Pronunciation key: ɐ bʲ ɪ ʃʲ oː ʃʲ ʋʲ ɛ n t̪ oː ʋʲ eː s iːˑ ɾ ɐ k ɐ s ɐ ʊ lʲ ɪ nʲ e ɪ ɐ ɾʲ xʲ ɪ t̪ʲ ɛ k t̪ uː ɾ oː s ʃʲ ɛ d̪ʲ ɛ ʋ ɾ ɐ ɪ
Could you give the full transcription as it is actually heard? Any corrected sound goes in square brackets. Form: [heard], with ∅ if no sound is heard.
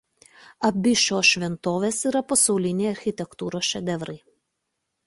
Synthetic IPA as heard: ɐ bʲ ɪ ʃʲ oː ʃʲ ʋʲ ɛ n t̪ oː ʋʲ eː s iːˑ ɾ ɐ [p] ɐ s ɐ ʊ lʲ ɪ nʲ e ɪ ɐ ɾʲ xʲ ɪ t̪ʲ ɛ k t̪ uː ɾ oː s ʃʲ ɛ d̪ʲ ɛ ʋ ɾ ɐ ɪ